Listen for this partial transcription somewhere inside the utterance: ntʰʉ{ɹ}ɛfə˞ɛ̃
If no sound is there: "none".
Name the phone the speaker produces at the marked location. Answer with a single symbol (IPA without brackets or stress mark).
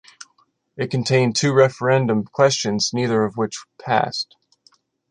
ɹ